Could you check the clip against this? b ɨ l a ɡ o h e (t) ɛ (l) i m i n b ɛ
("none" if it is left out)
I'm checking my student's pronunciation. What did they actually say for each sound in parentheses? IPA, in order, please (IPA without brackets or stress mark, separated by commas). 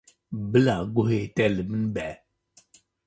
t, l